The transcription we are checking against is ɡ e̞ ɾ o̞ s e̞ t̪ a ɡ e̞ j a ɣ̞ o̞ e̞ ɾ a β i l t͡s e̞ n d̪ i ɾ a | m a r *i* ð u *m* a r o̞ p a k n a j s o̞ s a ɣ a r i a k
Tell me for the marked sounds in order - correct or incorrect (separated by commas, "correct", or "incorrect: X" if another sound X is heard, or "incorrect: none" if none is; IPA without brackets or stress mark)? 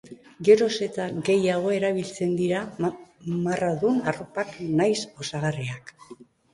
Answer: incorrect: a, incorrect: n